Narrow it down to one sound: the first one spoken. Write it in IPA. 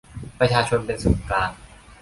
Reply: p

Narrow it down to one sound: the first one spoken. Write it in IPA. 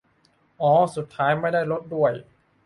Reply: ʔ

